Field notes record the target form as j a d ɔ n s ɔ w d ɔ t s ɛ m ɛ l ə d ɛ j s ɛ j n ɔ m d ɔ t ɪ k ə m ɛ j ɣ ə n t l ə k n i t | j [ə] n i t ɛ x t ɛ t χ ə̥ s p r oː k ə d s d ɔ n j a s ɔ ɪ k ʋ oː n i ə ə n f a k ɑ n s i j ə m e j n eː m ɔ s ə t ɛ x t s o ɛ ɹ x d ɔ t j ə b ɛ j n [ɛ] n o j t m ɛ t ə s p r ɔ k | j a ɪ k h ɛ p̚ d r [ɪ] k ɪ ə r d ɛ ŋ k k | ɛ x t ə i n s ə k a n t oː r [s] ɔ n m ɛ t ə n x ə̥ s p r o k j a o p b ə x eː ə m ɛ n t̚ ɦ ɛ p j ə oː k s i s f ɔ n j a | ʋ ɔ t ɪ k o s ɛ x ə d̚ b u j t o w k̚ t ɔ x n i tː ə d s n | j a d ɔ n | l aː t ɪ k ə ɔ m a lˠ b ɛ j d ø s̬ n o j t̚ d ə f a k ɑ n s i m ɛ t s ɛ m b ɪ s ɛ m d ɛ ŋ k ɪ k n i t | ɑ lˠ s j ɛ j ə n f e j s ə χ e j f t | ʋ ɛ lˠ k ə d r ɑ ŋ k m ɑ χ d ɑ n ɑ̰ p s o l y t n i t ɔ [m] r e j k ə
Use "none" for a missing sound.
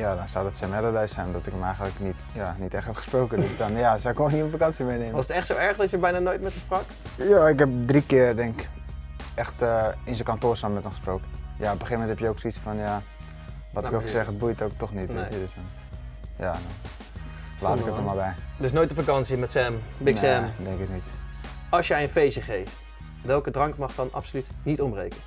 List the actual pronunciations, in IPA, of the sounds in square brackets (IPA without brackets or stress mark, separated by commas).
a, a, i, s, m